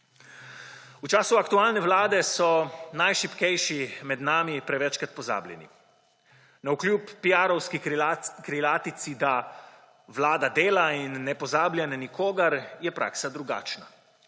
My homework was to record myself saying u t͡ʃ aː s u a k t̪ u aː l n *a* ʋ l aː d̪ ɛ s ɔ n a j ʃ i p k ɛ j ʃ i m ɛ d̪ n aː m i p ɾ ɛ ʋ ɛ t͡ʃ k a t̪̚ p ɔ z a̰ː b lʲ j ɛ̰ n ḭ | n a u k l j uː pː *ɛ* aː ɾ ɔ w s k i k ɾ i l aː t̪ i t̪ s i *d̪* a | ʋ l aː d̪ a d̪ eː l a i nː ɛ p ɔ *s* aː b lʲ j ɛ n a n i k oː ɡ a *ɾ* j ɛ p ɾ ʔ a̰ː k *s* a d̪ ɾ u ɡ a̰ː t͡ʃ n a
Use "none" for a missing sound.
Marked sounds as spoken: ɛ, i, d̪, z, ɾ, s

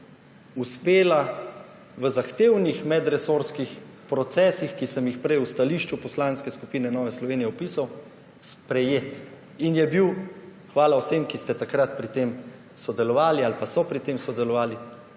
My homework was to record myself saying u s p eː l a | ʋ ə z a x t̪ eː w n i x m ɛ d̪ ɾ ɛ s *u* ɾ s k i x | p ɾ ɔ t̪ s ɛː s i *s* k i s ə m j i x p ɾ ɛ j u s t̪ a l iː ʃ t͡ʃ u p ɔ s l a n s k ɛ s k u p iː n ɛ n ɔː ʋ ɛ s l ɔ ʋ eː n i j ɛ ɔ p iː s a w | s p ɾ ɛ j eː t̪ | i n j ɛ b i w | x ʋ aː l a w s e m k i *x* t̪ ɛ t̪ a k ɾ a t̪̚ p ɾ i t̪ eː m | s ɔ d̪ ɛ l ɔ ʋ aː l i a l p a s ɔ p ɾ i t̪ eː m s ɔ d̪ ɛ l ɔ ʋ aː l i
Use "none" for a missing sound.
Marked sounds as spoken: o, x, s

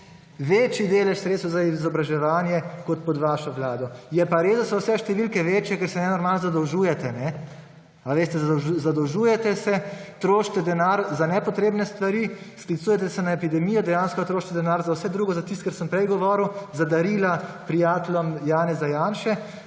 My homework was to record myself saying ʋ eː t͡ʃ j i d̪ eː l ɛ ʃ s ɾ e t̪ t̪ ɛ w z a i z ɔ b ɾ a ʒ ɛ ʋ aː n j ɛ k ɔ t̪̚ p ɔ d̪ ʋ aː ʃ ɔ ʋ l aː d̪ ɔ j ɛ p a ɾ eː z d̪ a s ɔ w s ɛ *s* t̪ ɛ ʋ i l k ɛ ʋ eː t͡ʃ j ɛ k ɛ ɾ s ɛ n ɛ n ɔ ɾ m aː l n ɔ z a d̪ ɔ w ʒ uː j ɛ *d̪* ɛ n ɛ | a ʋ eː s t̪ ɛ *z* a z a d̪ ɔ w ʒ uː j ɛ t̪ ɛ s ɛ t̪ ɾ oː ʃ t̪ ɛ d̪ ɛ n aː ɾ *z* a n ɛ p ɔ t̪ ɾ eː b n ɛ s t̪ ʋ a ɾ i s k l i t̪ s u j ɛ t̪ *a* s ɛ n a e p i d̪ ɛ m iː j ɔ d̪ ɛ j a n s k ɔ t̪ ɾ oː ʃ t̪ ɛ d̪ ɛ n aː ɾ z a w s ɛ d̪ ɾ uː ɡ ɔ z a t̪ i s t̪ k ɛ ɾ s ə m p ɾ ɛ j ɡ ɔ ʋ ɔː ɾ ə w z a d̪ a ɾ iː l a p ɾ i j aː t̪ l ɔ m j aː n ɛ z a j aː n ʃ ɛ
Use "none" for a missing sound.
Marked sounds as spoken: ʃ, t̪, z, z, ɛ

